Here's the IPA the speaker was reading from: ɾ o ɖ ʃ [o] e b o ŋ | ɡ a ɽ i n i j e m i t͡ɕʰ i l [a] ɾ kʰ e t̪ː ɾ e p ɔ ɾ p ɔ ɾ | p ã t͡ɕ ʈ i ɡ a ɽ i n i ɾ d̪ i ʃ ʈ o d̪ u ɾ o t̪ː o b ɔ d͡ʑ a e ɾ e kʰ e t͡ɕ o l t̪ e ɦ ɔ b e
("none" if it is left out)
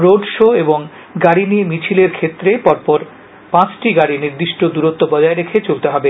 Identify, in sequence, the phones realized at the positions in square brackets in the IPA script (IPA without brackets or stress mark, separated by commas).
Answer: o, e